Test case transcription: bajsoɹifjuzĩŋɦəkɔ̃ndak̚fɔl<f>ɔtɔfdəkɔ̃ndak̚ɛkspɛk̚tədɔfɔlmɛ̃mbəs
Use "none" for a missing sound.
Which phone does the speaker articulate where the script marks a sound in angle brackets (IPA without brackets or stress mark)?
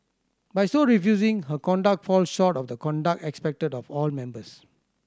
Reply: ʃ